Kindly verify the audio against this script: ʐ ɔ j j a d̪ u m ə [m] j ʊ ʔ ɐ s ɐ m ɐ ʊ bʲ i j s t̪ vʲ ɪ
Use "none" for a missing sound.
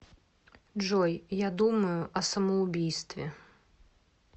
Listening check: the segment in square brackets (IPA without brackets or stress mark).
none